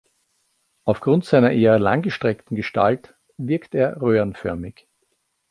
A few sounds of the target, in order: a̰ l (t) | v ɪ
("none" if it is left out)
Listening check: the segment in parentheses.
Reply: t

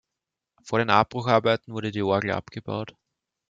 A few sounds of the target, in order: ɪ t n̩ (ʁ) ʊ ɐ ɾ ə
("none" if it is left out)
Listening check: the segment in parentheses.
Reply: v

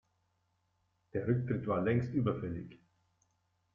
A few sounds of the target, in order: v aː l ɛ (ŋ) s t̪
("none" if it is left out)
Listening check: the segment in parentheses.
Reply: ŋ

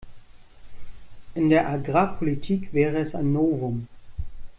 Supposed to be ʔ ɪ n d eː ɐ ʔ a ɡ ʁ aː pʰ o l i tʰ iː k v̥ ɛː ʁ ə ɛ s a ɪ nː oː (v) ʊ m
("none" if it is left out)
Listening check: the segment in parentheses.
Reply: v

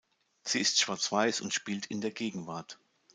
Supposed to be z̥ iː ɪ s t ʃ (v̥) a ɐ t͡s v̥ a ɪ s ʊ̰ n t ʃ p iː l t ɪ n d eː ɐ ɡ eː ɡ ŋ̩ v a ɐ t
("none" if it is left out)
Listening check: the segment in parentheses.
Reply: v̥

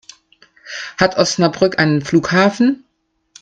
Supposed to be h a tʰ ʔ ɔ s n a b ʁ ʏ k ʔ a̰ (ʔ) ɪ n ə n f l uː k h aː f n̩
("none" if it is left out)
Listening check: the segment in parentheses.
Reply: none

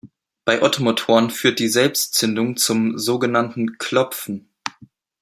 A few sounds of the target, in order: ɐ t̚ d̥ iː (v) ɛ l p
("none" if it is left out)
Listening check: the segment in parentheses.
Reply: z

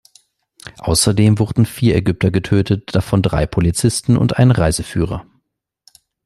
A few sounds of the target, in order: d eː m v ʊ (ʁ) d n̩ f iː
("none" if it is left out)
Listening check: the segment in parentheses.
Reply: ʁ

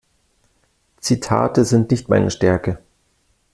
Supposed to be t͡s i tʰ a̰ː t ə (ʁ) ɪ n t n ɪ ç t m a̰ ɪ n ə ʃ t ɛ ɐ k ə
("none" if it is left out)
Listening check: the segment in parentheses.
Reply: z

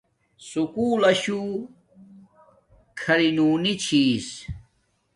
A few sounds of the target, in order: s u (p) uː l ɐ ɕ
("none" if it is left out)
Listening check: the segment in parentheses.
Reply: k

